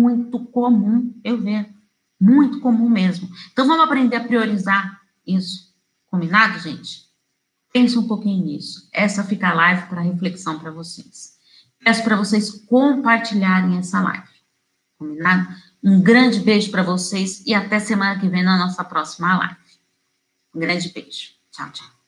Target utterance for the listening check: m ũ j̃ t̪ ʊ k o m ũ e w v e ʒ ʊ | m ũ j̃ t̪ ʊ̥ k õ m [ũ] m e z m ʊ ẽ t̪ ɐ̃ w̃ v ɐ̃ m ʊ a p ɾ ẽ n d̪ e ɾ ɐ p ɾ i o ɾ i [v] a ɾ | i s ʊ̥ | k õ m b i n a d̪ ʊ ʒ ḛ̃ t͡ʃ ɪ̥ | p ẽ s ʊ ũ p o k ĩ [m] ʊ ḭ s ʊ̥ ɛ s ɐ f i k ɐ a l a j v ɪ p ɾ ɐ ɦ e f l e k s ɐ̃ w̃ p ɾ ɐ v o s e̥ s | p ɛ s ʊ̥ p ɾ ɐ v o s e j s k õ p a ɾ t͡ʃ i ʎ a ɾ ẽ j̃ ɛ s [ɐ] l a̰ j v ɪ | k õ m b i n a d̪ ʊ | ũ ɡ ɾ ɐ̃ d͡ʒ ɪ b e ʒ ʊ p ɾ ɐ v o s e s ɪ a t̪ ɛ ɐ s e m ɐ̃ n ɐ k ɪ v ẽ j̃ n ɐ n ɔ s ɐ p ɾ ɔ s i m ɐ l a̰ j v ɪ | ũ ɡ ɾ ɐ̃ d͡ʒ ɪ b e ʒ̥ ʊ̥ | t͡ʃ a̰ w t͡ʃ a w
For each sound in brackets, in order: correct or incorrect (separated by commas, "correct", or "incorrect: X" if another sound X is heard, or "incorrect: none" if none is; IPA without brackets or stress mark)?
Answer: correct, incorrect: z, incorrect: ɲ, correct